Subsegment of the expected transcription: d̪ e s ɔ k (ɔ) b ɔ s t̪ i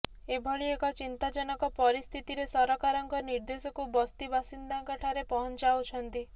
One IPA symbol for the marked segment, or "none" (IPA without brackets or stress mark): u